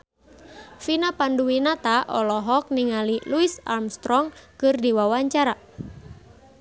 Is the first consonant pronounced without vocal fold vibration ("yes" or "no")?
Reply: yes